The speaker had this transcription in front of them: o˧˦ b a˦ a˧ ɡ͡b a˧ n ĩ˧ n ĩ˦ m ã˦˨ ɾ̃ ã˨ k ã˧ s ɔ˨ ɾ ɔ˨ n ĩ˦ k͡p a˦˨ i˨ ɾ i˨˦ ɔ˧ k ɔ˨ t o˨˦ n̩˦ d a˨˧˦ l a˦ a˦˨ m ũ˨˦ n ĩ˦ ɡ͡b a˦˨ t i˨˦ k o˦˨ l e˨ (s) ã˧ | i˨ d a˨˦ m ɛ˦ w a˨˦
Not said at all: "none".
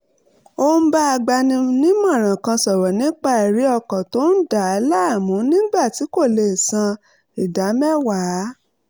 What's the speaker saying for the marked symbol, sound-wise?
s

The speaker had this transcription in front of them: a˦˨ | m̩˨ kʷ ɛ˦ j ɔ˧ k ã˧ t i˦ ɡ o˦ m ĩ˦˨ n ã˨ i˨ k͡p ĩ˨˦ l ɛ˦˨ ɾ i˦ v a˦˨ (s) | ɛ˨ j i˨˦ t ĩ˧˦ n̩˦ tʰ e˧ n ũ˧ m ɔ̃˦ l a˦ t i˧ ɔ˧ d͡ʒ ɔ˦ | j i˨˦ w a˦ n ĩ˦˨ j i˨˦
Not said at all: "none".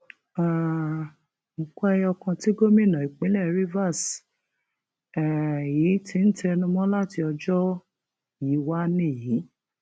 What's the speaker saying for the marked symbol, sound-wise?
s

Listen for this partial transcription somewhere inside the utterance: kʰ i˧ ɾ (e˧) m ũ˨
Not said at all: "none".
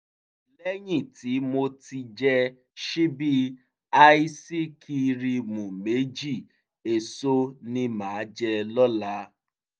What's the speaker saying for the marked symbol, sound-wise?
i˧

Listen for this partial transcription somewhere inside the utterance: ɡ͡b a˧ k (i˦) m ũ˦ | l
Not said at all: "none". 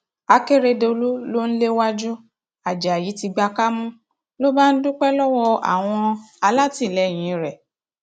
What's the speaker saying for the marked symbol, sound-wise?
a˦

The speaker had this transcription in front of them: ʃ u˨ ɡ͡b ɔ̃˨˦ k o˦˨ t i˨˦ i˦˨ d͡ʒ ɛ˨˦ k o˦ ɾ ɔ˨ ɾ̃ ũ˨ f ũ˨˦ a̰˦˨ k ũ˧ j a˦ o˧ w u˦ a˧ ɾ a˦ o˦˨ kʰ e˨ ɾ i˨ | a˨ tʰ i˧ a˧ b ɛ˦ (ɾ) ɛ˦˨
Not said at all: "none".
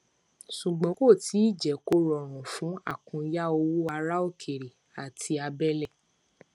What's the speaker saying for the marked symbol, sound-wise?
l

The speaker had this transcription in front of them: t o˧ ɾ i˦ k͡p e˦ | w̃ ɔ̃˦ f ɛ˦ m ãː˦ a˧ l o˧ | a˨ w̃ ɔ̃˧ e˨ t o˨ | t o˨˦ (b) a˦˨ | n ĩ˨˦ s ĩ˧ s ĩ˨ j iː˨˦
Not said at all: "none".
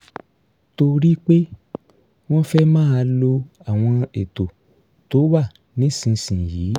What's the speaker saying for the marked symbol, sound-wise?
w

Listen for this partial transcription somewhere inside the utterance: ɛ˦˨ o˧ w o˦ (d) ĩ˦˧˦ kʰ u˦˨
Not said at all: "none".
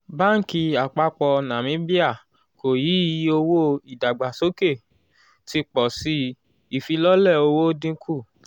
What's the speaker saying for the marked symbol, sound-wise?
d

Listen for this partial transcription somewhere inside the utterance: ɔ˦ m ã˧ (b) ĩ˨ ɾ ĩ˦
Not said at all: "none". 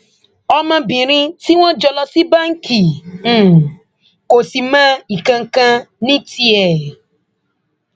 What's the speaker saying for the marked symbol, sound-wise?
b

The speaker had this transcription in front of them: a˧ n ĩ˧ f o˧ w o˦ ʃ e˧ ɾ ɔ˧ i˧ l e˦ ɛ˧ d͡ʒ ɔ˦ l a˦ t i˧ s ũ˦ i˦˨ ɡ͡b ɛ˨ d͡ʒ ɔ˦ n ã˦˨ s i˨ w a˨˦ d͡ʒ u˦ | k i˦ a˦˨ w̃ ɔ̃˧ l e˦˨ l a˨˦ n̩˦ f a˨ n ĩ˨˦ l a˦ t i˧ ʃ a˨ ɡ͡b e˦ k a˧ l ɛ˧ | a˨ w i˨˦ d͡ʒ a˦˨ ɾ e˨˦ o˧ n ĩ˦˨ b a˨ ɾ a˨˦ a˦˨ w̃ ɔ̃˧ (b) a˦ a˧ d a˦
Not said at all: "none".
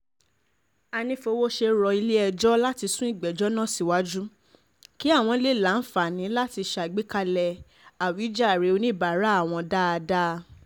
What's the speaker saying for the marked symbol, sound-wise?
d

